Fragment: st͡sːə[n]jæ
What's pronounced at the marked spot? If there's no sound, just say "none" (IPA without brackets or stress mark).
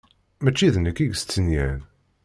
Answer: n